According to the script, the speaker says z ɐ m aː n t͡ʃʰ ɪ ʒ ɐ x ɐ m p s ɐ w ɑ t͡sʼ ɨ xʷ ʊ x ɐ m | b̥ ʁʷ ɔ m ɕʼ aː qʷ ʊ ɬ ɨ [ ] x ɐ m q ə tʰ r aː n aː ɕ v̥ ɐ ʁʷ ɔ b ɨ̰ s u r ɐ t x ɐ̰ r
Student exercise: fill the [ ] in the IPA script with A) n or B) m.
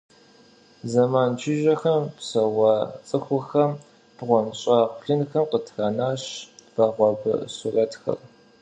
A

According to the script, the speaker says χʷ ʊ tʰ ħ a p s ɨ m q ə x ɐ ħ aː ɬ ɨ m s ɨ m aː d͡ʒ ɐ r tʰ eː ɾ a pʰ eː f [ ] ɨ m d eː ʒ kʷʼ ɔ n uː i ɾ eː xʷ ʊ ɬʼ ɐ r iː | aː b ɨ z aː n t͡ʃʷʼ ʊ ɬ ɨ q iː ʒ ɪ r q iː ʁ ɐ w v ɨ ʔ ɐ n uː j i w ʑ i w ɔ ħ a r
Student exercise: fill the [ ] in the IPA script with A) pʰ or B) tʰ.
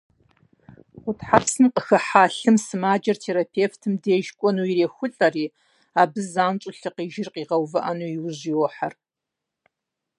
B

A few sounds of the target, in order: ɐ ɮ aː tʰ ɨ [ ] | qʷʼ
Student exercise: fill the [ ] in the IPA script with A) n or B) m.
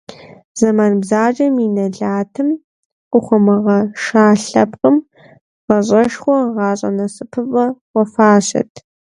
B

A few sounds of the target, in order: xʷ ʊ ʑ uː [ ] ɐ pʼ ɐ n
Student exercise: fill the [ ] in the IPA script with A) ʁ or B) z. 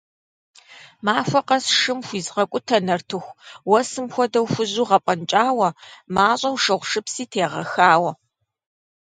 A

